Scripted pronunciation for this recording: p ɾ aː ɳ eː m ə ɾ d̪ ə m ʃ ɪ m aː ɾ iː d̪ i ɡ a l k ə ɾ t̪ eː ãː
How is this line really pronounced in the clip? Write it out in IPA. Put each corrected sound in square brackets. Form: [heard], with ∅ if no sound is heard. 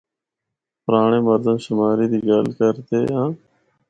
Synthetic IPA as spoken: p ɾ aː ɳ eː m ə ɾ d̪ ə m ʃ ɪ m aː ɾ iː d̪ i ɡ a l k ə ɾ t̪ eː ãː